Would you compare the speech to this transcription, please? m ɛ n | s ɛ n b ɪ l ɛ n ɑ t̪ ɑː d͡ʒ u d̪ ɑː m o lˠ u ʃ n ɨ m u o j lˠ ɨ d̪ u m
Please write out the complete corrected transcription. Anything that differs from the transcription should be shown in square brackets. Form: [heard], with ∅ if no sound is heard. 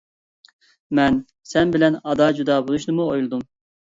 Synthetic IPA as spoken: m ɛ n | s ɛ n b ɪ l ɛ n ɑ [d̪] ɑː d͡ʒ u d̪ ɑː [b] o lˠ u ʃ n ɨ m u o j lˠ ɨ d̪ u m